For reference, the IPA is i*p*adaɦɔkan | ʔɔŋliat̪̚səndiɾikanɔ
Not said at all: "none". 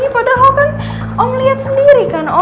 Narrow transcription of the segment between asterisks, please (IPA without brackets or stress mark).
p